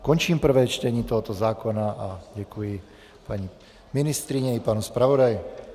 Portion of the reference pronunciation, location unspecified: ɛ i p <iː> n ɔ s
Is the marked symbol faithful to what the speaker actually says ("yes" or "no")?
no